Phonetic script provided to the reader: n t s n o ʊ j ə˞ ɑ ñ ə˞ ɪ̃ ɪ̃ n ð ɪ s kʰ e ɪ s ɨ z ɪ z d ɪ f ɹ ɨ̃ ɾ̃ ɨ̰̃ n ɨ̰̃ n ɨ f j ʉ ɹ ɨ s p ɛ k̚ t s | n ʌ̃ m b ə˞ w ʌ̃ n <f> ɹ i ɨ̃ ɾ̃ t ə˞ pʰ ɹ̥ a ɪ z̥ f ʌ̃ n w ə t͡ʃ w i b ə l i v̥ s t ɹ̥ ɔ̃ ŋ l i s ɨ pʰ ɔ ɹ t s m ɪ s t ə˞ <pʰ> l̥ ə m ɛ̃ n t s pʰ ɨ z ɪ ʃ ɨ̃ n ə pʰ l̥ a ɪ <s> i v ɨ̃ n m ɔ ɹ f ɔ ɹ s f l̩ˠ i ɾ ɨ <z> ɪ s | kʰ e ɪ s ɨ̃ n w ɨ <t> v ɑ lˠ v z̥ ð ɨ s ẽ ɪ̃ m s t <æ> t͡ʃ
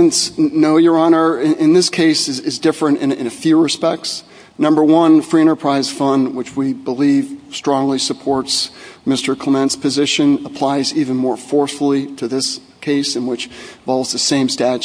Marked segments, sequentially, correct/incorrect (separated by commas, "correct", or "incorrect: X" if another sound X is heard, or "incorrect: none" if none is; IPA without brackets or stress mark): correct, incorrect: kʰ, incorrect: z, incorrect: ð, incorrect: t͡ʃ, correct